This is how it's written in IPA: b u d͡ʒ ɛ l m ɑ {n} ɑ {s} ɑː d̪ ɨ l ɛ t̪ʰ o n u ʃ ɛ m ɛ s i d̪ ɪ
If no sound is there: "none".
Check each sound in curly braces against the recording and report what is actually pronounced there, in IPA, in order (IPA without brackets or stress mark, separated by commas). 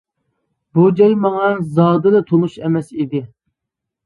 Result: ŋ, z